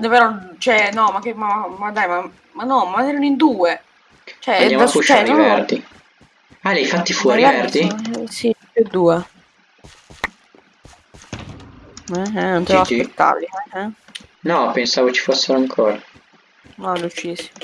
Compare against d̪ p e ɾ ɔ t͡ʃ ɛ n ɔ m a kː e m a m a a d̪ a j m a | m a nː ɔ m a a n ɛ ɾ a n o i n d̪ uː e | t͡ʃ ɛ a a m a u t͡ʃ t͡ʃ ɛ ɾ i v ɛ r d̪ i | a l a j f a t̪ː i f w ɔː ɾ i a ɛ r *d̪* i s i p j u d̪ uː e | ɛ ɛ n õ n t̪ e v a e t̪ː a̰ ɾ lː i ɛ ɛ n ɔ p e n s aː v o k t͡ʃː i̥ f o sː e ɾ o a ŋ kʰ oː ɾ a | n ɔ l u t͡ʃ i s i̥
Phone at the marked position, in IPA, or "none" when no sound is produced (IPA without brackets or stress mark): d̪